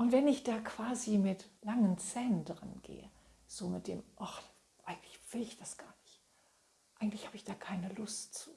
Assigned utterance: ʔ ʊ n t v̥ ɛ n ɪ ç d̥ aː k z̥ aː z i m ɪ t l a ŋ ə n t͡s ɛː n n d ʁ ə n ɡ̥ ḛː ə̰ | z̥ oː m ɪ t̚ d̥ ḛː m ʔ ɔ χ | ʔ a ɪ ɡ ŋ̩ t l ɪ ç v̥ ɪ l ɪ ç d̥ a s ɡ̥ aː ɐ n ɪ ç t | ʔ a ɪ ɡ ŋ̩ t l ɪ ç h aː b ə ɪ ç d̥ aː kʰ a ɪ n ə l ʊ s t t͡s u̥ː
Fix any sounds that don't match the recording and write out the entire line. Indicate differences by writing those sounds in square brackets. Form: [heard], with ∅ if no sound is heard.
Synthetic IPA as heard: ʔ ʊ n t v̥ ɛ n ɪ ç d̥ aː k [v̥] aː z i m ɪ t l a ŋ ə n t͡s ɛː n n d ʁ ə n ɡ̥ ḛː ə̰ | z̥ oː m ɪ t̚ d̥ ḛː m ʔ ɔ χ | ʔ a ɪ ɡ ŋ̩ t l ɪ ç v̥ ɪ l ɪ ç d̥ a s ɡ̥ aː ɐ n ɪ ç t | ʔ a ɪ ɡ ŋ̩ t l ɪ ç h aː b ə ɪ ç d̥ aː kʰ a ɪ n ə l ʊ s t t͡s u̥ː